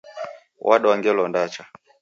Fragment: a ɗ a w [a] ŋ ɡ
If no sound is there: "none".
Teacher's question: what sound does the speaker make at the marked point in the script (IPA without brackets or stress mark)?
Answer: a